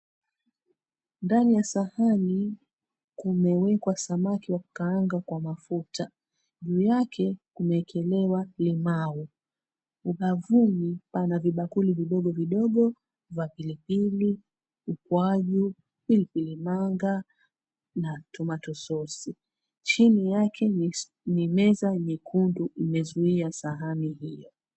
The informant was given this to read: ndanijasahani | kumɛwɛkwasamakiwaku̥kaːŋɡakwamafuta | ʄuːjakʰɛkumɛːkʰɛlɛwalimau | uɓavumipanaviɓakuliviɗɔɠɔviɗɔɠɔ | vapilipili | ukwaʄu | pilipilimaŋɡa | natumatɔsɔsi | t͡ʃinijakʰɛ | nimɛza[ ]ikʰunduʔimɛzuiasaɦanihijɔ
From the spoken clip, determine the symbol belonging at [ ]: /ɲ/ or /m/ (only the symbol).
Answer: ɲ